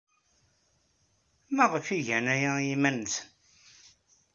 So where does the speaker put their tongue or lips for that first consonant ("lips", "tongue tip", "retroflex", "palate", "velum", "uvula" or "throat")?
lips